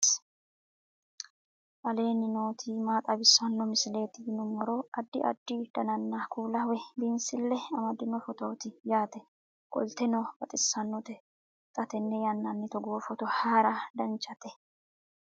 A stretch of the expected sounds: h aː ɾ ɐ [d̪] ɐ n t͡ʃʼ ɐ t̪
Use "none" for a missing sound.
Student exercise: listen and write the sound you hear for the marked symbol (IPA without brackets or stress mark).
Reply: d̪